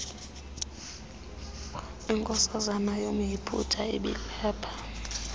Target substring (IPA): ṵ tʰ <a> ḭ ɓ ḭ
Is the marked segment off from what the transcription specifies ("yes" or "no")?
no